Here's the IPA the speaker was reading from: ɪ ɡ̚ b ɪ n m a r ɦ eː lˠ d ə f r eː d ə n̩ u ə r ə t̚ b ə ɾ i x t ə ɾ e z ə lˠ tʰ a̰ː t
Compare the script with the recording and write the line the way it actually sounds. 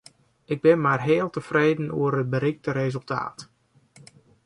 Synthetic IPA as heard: ɪ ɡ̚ b ɪ n m a r ɦ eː lˠ t ə f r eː d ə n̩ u ə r ə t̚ b ə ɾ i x t ə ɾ e z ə lˠ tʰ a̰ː t